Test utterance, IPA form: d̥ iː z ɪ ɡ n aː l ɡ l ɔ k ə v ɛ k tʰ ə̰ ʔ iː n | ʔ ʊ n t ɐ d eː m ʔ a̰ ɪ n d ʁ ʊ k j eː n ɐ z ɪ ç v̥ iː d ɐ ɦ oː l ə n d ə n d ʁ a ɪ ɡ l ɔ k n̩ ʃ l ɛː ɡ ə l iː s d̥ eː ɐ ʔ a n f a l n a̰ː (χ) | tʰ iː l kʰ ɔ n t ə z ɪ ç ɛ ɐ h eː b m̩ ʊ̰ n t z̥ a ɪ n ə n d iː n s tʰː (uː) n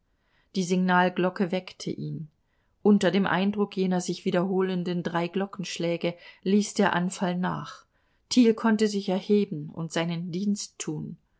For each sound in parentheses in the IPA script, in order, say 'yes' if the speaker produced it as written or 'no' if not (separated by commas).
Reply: yes, yes